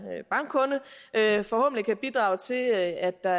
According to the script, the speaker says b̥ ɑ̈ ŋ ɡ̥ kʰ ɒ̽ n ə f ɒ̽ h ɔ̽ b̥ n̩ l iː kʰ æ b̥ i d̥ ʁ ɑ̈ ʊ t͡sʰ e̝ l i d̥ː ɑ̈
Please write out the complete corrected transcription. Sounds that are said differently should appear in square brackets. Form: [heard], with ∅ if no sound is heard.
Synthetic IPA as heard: b̥ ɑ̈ ŋ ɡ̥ kʰ [ɔ̽] n ə f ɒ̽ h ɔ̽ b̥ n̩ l [i] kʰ æ b̥ i d̥ ʁ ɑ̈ ʊ t͡sʰ e̝ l [æ] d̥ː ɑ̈